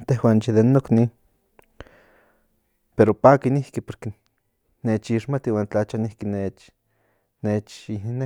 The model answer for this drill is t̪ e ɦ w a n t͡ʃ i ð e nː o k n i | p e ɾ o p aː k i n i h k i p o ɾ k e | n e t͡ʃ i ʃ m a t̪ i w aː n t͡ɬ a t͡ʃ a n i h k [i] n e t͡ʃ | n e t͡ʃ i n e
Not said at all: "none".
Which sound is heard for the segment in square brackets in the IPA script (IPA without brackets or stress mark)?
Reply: i